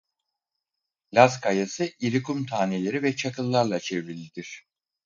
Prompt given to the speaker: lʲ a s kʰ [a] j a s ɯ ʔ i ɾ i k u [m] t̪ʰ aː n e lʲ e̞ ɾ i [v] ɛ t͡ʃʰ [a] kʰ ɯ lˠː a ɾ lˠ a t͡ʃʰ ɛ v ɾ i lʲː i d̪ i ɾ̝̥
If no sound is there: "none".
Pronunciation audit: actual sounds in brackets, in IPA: a, m, v, a

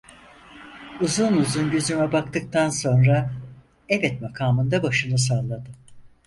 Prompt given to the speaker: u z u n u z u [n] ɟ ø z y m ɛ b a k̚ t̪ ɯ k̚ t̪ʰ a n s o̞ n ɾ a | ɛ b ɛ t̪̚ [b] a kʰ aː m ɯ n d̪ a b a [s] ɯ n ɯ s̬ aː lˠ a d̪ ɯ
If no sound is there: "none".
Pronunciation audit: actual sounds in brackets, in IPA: n, m, ʃ

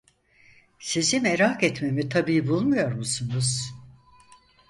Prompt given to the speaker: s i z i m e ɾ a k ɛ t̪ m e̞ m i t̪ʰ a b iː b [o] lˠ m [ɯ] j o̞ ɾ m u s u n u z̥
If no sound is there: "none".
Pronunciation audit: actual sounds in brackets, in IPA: u, u

